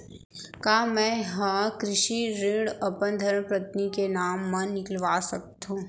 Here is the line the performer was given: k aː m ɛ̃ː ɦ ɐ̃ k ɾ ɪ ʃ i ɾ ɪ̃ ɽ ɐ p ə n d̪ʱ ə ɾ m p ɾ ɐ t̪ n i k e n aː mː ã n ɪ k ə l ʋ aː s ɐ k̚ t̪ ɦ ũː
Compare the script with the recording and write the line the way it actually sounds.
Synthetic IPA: k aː m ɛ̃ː ɦ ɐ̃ k ɾ ɪ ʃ i ɾ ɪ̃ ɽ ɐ p ə n d̪ʱ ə ɾ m p ɾ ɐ t̪ n i k e n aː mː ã n ɪ k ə l ʋ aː s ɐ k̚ t̪ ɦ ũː